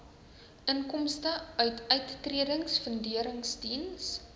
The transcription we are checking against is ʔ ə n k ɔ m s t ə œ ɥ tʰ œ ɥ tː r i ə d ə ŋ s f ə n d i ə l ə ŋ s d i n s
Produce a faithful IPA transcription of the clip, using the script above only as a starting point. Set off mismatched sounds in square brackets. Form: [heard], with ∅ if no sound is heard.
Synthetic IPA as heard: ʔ ə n k ɔ m s t ə œ ɥ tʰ œ ɥ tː r i ə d ə ŋ s f ə n d i ə [ɾ] ə ŋ s d i n s